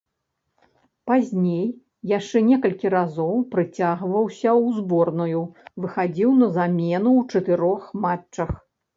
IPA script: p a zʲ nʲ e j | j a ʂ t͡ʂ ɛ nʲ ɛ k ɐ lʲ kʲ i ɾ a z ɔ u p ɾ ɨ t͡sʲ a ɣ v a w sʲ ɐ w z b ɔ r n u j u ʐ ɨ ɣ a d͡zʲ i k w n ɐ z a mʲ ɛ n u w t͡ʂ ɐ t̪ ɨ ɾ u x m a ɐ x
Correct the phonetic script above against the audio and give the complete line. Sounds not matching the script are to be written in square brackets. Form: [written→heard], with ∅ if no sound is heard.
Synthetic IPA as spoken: p a zʲ nʲ e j | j a ʂ t͡ʂ ɛ nʲ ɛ k ɐ lʲ kʲ i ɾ a z ɔ [u→w] p ɾ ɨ t͡sʲ a ɣ v [a→ɐ] w sʲ ɐ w z b ɔ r n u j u [ʐ→v] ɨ [ɣ→x] a d͡zʲ i [k→∅] w n ɐ z a mʲ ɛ n u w t͡ʂ ɐ t̪ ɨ ɾ [u→ɔ] x m a ɐ x